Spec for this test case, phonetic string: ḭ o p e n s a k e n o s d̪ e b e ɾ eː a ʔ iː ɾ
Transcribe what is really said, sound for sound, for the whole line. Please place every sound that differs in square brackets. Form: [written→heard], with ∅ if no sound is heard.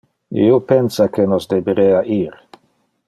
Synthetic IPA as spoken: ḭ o p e n s a k e n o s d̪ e b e ɾ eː a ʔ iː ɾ